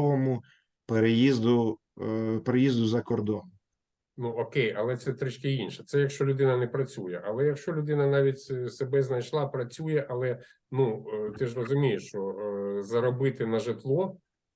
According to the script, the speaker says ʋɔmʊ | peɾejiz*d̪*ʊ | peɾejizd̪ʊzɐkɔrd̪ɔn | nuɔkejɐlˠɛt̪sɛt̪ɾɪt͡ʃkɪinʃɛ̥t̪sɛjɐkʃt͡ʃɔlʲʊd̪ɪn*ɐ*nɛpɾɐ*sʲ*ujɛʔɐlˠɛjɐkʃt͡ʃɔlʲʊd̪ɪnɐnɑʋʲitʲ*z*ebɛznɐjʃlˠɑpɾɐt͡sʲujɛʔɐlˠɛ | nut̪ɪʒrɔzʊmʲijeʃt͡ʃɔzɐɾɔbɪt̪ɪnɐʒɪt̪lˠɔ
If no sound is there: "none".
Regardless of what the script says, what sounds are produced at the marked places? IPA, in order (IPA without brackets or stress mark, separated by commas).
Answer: d̪, ɐ, t͡sʲ, s